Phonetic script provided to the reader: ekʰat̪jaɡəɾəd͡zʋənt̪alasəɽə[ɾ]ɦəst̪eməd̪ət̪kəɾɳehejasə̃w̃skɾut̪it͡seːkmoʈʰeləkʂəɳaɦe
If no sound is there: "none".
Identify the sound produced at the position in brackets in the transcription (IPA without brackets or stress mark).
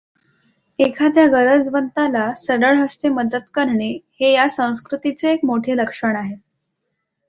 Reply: ɭ